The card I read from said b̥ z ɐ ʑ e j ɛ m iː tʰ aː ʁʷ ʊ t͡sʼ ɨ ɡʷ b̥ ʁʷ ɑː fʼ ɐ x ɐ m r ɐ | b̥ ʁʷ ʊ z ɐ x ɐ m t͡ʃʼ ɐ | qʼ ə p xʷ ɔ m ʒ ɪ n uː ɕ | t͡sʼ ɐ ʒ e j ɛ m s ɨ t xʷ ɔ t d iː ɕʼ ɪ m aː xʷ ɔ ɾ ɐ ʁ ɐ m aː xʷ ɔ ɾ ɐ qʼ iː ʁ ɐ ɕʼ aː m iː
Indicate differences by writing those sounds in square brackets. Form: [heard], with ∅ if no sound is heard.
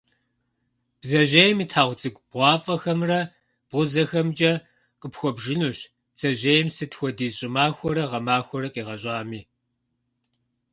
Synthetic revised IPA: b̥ z ɐ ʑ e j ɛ m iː tʰ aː ʁʷ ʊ t͡sʼ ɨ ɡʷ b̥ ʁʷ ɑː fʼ ɐ x ɐ m r ɐ | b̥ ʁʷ ʊ z ɐ x ɐ m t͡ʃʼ ɐ | qʼ ə p xʷ ɔ [b] ʒ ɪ n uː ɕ | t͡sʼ ɐ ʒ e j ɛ m s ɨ t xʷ ɔ [∅] d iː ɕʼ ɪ m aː xʷ ɔ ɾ ɐ ʁ ɐ m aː xʷ ɔ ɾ ɐ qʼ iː ʁ ɐ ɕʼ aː m iː